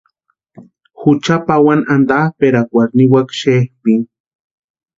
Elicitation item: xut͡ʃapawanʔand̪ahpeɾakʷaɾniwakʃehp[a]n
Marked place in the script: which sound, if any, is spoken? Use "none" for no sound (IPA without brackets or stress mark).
i